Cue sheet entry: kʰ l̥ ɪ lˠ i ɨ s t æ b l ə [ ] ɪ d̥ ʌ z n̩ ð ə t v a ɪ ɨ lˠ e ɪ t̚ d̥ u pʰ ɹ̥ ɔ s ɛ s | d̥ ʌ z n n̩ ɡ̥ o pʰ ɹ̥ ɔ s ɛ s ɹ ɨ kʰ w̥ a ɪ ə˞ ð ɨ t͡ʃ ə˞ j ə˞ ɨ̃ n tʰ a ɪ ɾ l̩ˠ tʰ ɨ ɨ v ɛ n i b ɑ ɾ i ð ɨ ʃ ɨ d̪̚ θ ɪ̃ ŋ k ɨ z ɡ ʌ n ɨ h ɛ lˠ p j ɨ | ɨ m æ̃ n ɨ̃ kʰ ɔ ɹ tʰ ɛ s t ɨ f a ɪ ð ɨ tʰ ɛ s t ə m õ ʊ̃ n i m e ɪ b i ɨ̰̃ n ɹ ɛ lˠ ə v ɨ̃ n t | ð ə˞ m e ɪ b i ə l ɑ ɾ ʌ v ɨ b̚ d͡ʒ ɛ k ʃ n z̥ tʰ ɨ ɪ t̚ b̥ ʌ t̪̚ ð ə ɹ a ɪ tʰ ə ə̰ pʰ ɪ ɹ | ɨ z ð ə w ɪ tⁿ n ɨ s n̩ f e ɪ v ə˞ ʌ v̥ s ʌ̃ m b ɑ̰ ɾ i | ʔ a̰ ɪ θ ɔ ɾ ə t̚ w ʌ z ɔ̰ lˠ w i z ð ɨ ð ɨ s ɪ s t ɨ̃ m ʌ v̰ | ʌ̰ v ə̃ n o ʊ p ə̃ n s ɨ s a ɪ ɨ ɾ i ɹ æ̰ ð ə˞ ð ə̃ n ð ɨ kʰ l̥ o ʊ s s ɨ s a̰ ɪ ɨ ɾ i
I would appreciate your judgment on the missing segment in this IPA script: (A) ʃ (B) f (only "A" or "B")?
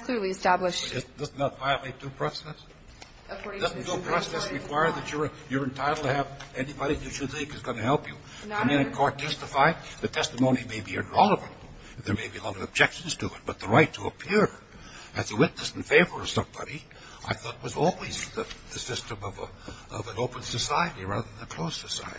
A